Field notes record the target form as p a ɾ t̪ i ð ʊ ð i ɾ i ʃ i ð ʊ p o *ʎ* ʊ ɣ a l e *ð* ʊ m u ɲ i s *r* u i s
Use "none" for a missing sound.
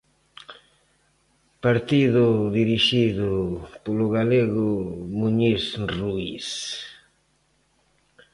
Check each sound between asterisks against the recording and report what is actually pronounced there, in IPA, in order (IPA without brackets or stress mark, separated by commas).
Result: l, ɣ, r